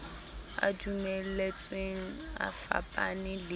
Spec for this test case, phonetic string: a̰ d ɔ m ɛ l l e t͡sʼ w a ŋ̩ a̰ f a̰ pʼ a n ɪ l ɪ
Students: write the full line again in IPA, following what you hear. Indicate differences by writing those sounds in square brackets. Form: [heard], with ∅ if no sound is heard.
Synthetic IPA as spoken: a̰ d [u] m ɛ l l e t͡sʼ w [e] ŋ̩ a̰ f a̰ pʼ a n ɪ l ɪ